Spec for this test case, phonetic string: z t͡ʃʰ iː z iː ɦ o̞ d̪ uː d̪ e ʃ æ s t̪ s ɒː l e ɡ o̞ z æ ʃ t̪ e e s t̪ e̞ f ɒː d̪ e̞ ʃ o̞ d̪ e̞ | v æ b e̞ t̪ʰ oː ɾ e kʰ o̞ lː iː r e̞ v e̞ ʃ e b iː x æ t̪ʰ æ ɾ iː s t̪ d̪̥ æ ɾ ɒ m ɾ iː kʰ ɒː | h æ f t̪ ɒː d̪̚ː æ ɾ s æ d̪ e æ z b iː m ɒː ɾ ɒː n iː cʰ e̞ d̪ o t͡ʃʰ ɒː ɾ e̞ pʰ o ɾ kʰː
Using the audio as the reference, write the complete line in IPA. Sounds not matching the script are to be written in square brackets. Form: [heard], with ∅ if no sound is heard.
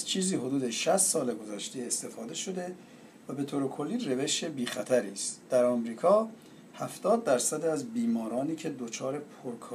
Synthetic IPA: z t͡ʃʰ iː z iː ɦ o̞ d̪ uː d̪ e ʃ æ s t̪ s ɒː l e ɡ o̞ z æ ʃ t̪ e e s t̪ e̞ f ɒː d̪ e̞ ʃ o̞ d̪ e̞ | v æ b e̞ t̪ʰ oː ɾ e kʰ o̞ lː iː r e̞ v e̞ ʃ e b iː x æ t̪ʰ æ ɾ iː s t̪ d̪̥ æ ɾ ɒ m ɾ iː kʰ ɒː | h æ f t̪ ɒː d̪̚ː æ ɾ s æ d̪ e æ z b iː m ɒː ɾ ɒː n iː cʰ e̞ d̪ o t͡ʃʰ ɒː ɾ e̞ pʰ o ɾ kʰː